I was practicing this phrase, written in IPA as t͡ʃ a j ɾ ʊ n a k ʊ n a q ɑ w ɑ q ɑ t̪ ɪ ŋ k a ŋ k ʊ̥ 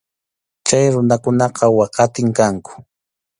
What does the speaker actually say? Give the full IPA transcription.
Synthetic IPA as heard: t͡ʃ a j ɾ ʊ n a k ʊ n ɑ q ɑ w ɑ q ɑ t̪ ɪ ŋ k a ŋ k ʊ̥